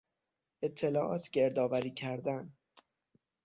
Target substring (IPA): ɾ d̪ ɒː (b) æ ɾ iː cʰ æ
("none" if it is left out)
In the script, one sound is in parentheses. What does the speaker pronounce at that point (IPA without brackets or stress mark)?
v